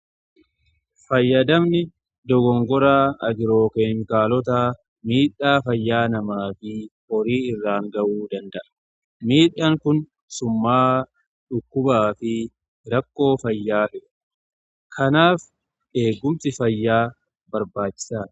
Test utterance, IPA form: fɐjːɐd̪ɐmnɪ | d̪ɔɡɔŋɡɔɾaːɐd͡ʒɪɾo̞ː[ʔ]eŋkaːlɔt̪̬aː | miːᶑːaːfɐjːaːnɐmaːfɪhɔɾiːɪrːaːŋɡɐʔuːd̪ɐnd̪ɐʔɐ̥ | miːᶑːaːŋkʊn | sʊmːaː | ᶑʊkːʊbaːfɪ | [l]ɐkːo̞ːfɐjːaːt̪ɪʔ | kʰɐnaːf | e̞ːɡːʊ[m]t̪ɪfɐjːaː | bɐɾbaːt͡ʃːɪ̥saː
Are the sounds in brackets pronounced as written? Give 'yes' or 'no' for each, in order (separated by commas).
no, no, yes